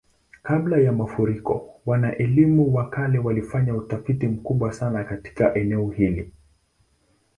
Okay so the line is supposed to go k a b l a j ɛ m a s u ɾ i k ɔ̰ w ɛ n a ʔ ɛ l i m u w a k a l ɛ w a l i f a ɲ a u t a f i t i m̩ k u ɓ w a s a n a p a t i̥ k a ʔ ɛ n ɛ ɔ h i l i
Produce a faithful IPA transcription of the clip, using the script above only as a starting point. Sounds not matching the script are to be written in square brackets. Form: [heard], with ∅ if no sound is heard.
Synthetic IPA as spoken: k a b l a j [a] m a [f] u ɾ i k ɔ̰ w [a] n a ʔ ɛ l i m u w a k a l ɛ w a l i f a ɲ a u t a f i t i m̩ k u ɓ w a s a n a [k] a t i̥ k a ʔ ɛ n ɛ ɔ h i l i